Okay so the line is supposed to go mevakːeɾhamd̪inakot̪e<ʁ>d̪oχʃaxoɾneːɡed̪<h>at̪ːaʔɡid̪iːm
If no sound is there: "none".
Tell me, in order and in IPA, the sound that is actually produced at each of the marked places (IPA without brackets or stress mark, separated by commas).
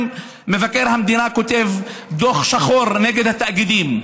v, h